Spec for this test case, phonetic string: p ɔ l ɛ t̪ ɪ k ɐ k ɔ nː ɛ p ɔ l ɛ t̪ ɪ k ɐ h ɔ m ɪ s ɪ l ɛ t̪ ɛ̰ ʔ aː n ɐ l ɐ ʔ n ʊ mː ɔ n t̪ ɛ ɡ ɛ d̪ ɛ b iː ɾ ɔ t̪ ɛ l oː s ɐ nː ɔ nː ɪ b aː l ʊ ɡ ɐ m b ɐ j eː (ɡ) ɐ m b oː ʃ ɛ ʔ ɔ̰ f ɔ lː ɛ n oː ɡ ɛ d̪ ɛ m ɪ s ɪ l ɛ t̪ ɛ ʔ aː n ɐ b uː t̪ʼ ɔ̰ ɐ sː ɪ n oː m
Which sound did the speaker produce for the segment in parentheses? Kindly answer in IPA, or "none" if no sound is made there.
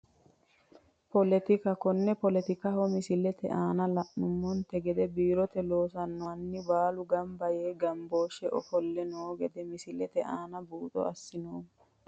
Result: ɡ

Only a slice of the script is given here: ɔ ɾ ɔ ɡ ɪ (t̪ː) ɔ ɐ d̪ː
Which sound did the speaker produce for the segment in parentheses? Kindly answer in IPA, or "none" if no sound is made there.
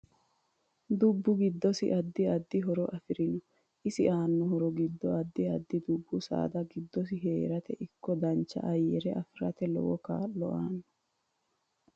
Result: d̪ː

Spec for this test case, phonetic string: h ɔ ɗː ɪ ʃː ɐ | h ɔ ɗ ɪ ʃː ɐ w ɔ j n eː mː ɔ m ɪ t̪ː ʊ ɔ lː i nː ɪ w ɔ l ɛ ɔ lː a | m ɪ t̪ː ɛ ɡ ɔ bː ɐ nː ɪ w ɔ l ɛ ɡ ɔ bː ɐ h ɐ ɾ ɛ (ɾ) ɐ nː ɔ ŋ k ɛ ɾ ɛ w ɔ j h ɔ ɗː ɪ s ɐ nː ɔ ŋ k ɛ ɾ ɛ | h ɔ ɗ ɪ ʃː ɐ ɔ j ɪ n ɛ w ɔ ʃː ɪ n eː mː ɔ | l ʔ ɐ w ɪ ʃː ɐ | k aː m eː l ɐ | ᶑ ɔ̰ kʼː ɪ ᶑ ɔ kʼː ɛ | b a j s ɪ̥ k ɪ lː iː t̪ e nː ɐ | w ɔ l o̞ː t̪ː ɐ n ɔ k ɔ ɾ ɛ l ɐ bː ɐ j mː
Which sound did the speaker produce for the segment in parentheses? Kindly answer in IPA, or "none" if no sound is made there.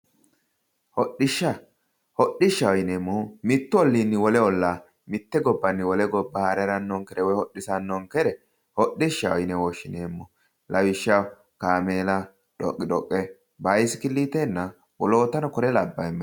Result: ɾ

